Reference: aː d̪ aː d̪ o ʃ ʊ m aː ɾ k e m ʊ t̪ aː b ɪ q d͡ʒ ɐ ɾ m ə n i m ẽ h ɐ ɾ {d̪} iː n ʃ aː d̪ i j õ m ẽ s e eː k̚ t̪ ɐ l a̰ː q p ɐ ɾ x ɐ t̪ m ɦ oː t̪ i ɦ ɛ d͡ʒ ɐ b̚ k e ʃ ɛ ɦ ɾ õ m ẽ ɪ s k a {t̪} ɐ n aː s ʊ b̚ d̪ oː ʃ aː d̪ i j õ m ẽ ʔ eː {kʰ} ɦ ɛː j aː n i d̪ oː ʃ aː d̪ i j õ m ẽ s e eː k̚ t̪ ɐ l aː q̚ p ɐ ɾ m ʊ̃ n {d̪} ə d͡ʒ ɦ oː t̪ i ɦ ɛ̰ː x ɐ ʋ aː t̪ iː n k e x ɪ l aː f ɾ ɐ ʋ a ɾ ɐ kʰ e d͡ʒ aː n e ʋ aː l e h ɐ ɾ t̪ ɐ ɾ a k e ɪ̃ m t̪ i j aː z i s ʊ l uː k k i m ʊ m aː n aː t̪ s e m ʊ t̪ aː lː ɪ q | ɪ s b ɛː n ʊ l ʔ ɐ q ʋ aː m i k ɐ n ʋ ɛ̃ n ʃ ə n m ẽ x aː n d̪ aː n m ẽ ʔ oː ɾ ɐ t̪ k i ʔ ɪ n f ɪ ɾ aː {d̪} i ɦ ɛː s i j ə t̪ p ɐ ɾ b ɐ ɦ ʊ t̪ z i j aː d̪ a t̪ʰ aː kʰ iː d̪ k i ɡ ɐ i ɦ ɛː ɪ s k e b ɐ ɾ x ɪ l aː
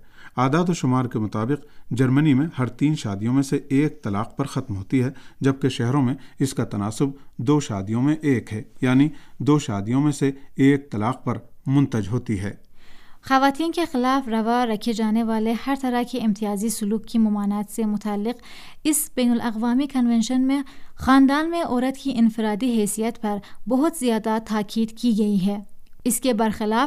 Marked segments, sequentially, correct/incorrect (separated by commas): incorrect, correct, incorrect, incorrect, correct